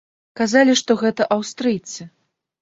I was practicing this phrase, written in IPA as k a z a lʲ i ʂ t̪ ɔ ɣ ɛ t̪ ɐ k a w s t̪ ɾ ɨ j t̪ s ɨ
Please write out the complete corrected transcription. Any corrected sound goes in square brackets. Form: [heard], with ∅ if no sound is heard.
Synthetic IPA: k a z a lʲ i ʂ t̪ ɔ ɣ ɛ t̪ ɐ [ʔ] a w s t̪ ɾ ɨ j t̪ s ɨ